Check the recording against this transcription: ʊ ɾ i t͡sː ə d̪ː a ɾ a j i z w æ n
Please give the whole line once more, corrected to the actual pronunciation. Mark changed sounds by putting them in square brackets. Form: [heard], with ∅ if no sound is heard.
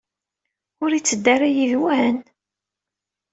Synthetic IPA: ʊ ɾ i t͡sː ə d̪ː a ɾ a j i [ð] w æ n